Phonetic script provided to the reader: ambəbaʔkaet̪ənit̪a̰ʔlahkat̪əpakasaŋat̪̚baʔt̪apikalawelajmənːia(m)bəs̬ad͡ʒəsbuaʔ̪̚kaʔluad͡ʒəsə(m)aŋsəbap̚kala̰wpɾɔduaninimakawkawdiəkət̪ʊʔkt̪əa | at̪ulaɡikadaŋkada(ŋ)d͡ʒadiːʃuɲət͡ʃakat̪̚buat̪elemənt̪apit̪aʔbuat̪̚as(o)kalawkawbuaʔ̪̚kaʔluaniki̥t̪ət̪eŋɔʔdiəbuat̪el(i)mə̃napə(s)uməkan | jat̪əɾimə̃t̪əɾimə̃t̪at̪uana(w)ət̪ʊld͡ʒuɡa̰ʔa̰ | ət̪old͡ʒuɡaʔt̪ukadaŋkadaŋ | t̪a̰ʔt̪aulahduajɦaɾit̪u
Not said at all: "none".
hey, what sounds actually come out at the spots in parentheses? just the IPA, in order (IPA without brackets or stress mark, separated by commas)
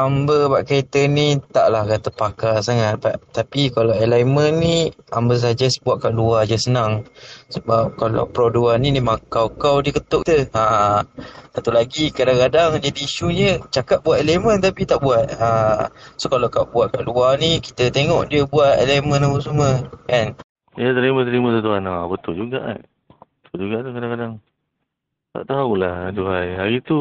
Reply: m, n, ŋ, o, e, s, b